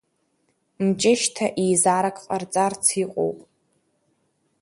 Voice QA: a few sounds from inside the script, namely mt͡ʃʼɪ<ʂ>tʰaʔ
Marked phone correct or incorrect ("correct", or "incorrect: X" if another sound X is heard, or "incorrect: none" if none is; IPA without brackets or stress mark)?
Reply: incorrect: ʃ